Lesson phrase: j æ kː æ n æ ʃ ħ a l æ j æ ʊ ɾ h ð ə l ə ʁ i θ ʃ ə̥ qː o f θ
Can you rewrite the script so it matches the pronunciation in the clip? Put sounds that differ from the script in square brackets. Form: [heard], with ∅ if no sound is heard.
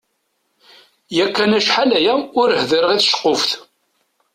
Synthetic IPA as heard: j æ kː æ n æ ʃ ħ a l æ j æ ʊ ɾ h ð ə [ɾ] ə ʁ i θ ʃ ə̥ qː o f θ